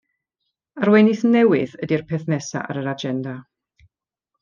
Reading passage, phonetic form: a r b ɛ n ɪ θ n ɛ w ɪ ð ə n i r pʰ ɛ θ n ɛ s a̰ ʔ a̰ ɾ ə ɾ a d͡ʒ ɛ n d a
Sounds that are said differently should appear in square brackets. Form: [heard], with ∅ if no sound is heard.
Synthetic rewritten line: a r [w] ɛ n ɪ θ n ɛ w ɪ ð ə [d] i r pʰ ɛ θ n ɛ s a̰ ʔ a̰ ɾ ə ɾ a d͡ʒ ɛ n d a